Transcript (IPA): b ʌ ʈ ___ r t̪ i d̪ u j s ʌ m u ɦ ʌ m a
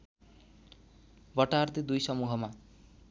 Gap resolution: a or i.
a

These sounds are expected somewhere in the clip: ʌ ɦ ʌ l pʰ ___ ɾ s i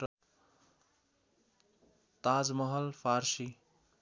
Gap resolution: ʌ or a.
a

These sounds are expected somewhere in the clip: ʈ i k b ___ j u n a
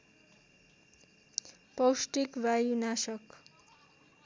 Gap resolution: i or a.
a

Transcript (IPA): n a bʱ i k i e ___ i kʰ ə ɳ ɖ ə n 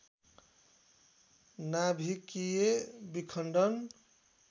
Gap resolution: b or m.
b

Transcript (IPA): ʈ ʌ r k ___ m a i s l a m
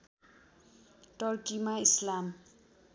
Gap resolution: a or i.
i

